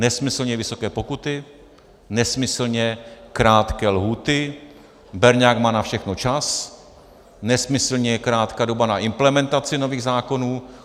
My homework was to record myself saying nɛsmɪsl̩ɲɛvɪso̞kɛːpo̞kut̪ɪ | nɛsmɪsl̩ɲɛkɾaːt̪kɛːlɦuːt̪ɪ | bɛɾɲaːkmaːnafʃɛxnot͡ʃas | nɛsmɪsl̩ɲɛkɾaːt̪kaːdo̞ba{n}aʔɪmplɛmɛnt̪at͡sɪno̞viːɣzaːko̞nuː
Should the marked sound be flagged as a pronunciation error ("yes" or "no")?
no